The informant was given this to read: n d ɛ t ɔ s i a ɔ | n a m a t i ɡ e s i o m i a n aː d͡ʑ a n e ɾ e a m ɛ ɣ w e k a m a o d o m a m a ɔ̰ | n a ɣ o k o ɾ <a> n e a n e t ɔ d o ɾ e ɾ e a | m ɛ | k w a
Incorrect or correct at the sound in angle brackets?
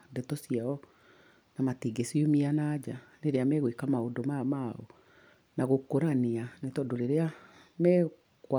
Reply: correct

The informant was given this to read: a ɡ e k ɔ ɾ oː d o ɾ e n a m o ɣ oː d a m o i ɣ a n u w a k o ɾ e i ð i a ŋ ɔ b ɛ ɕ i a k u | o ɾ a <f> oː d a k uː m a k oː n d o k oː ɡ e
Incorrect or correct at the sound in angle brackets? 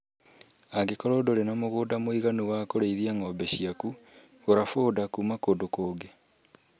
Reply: correct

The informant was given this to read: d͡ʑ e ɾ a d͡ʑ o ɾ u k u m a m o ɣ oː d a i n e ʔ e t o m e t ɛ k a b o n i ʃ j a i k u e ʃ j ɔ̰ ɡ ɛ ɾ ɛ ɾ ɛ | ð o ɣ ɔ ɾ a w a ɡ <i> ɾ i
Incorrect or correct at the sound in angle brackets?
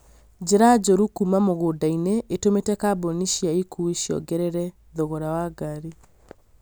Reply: incorrect: a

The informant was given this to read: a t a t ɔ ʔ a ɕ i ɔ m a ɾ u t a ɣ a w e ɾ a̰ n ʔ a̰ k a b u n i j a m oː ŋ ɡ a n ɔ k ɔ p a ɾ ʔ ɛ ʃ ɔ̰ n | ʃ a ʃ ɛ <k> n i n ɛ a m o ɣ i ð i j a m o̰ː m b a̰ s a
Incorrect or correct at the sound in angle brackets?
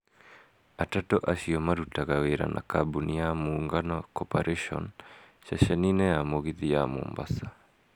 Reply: incorrect: none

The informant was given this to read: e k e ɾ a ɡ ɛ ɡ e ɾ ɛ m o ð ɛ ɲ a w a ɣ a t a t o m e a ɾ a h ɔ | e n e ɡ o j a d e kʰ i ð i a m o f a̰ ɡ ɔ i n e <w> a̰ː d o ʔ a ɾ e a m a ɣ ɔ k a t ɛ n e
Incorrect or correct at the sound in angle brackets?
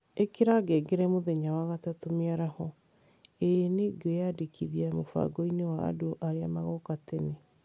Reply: correct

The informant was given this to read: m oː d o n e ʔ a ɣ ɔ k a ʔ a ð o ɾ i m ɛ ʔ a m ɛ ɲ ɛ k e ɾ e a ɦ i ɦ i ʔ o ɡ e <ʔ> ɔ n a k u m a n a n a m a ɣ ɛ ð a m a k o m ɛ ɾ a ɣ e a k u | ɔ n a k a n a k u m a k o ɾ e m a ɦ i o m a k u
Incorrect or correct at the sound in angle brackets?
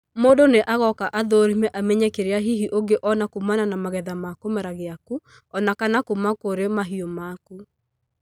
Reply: correct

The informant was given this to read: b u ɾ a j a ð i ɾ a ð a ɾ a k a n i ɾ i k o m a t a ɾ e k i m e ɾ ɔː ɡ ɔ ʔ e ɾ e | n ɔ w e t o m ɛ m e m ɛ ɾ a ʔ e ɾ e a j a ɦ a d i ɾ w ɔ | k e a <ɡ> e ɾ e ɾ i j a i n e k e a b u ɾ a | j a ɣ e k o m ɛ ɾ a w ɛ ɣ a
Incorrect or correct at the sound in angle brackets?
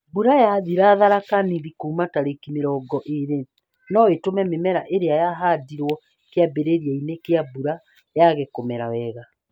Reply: incorrect: b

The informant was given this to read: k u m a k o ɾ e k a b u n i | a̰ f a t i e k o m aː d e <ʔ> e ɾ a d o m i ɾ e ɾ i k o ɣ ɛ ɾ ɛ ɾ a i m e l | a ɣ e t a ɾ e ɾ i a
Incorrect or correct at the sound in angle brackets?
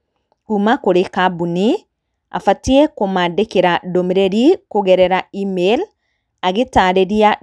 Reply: incorrect: k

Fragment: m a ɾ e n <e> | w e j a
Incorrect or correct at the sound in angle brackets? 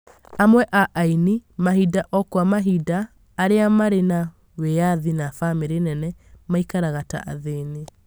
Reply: incorrect: a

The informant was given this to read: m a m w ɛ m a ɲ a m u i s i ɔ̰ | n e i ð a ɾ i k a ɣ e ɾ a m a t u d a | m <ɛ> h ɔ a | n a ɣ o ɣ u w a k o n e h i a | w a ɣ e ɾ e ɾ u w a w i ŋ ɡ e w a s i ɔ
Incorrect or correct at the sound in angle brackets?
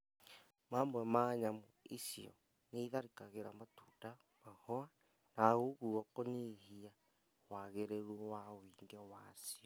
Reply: incorrect: a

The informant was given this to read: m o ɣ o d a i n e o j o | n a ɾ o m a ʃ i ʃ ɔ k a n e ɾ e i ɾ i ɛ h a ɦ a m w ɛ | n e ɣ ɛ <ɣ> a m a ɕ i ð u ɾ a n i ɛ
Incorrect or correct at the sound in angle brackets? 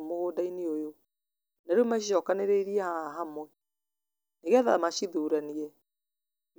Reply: incorrect: ð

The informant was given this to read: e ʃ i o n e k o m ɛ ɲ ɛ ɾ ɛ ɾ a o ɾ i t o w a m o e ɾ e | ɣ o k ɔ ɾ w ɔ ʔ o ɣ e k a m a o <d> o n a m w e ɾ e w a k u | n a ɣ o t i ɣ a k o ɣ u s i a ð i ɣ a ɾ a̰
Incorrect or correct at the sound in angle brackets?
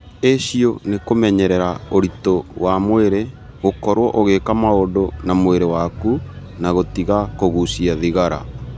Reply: correct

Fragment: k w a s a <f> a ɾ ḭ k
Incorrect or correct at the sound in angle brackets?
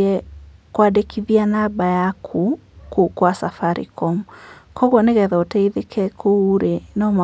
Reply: correct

